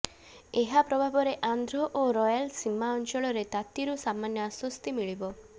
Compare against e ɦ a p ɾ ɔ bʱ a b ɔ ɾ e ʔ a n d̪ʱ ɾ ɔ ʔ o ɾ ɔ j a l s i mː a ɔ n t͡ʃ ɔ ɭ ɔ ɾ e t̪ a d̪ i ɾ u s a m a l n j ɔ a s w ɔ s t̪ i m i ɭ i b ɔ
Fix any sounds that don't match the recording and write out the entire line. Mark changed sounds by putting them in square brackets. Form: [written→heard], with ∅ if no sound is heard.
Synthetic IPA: e ɦ a p ɾ ɔ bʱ a b ɔ ɾ e ʔ a n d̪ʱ ɾ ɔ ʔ o ɾ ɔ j a l s i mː a ɔ n t͡ʃ ɔ ɭ ɔ ɾ e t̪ a [d̪→t̪] i ɾ u s a m a [l→∅] n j ɔ a s w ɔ s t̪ i m i ɭ i b ɔ